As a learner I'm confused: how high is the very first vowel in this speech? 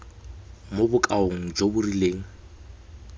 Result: mid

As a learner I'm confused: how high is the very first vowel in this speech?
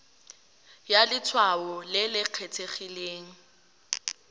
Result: low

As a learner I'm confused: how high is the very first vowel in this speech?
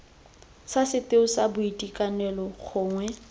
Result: low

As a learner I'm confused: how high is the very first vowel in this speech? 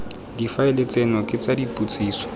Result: high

